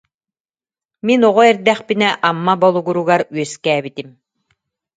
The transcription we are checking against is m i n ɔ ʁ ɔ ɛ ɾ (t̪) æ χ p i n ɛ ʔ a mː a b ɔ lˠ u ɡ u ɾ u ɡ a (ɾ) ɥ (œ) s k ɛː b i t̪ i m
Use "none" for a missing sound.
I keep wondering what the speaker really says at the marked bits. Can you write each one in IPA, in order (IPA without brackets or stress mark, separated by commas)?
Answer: d̪, ɾ, œ